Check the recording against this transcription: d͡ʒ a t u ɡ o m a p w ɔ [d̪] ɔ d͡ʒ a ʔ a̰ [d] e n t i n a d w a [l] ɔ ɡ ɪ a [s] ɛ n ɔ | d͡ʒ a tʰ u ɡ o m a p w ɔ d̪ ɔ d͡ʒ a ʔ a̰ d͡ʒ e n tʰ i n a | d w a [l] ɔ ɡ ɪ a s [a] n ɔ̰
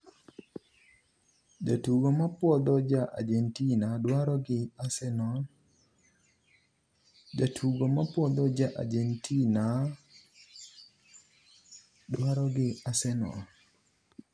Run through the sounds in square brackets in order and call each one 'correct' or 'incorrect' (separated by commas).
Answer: correct, incorrect, incorrect, correct, incorrect, incorrect